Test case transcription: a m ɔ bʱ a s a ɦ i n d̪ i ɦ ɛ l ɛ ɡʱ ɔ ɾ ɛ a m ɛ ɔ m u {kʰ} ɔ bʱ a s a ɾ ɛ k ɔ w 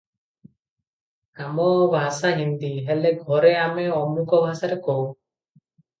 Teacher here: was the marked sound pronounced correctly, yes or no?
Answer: no